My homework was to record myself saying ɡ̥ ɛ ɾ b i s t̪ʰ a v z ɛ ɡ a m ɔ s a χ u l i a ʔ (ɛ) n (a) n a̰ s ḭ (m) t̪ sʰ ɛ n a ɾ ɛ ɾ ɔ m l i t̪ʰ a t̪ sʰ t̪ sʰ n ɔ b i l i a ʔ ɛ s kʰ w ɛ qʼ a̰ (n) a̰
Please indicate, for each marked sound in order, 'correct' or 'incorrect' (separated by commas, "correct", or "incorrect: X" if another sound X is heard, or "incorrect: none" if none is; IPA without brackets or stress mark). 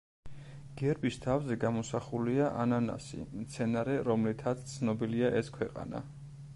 incorrect: a, correct, correct, correct